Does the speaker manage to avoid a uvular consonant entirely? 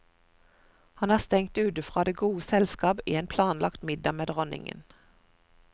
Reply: no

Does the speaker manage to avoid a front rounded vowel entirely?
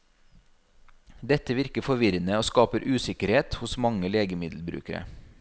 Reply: yes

